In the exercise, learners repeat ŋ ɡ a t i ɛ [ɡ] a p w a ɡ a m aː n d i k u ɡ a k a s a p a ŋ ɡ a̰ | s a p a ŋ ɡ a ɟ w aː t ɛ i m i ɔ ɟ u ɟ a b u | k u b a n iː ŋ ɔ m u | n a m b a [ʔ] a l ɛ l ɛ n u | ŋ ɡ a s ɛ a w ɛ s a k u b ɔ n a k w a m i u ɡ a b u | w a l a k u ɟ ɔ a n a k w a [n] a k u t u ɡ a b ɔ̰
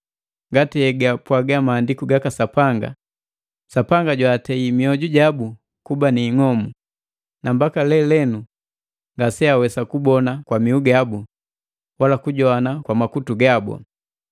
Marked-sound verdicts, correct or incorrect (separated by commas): correct, incorrect, incorrect